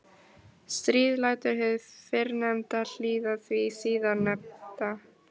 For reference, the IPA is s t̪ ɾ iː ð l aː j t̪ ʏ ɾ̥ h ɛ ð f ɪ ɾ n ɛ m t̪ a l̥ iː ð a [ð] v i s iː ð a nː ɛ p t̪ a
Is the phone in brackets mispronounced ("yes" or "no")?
yes